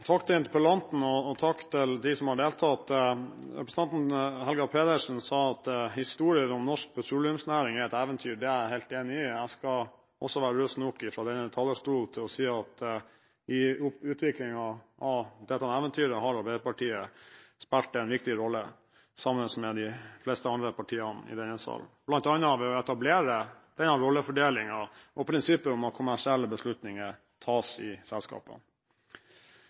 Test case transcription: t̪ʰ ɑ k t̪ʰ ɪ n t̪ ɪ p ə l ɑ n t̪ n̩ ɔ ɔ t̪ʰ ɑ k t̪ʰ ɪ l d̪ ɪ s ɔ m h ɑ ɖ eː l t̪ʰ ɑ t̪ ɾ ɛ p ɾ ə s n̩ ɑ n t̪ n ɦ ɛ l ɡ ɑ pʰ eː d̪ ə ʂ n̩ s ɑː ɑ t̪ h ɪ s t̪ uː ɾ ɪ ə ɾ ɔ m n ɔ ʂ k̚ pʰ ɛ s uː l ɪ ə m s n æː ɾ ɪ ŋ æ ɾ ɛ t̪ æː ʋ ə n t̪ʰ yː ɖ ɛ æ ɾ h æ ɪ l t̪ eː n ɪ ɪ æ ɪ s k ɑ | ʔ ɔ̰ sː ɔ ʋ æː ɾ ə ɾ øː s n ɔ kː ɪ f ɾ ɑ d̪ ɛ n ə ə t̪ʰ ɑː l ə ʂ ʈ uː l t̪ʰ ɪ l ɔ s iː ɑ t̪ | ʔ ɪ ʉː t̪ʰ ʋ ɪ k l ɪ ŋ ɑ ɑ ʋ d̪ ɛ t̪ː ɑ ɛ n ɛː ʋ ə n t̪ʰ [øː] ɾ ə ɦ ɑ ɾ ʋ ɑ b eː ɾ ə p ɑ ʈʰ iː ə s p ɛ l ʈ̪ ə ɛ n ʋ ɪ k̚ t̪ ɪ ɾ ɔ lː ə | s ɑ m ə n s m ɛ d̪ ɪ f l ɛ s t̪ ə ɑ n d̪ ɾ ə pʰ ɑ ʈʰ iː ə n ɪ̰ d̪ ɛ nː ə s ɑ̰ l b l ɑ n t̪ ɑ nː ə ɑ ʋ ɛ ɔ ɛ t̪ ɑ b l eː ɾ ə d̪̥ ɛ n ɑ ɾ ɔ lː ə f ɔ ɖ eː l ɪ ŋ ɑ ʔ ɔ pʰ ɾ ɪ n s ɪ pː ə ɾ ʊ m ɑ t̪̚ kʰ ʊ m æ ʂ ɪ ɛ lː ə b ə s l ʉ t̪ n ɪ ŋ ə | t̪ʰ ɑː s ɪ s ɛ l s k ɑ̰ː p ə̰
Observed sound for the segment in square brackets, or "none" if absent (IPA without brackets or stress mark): yː